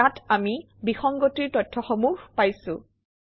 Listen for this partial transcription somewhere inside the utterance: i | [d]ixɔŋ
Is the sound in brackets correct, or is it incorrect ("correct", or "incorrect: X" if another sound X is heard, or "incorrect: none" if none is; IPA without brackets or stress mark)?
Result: incorrect: b